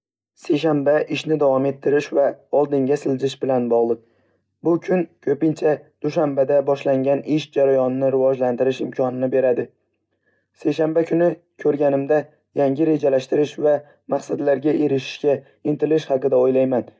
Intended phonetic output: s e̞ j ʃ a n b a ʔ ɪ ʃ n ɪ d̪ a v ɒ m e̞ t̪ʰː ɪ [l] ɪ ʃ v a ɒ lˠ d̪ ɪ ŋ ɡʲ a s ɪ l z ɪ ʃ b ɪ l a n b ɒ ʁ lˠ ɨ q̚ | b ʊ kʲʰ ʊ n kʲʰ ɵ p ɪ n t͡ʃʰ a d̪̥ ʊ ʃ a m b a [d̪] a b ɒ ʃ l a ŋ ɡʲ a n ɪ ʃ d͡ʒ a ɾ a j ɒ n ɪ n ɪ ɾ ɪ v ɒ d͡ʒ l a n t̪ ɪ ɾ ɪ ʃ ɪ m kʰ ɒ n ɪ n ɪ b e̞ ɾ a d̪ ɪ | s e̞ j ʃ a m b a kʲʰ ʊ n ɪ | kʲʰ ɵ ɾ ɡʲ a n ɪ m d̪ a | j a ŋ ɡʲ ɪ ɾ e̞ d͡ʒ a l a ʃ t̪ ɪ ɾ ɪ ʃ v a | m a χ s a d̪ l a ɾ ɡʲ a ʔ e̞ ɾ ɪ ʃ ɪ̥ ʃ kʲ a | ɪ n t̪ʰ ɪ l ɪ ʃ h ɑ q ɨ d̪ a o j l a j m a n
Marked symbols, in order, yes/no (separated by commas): no, yes